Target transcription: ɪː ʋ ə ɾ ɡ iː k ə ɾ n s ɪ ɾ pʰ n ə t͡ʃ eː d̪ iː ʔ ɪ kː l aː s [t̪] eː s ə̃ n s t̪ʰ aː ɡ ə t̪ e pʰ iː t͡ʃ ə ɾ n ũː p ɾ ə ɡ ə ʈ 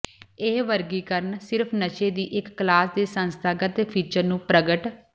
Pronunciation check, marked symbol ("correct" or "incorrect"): incorrect